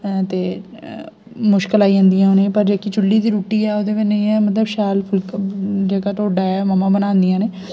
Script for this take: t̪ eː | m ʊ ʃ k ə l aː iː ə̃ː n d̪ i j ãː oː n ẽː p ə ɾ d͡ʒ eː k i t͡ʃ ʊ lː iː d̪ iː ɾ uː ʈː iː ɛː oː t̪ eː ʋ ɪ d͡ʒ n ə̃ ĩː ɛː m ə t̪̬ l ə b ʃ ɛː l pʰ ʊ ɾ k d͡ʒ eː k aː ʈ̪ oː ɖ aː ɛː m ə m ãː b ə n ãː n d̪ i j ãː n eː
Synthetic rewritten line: t̪ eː | m ʊ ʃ k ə l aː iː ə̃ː n d̪ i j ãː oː n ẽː p ə ɾ d͡ʒ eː k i t͡ʃ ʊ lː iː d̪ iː ɾ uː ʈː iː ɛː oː d̪ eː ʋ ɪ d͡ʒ n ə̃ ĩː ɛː m ə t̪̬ l ə b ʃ aː l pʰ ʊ l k d͡ʒ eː k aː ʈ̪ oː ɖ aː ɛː m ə m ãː b ə n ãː n d̪ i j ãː n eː